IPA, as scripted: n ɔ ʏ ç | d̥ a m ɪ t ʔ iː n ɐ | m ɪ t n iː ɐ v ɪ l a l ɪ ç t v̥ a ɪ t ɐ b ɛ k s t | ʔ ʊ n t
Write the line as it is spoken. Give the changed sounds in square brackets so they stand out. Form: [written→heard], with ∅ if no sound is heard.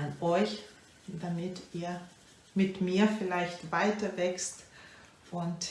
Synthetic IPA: n ɔ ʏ ç | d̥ a m ɪ t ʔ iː [n→∅] ɐ | m ɪ t [n→m] iː ɐ [v→f] ɪ l a [l→∅] ɪ ç t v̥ a ɪ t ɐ [b→v] ɛ k s t | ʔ ʊ n t